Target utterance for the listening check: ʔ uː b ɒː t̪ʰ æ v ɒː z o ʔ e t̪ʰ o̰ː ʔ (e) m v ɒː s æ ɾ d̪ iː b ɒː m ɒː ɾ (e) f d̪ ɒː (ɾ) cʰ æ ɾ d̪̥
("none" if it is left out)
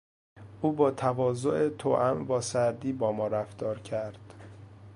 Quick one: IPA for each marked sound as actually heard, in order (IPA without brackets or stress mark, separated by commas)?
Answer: æ, æ, ɾ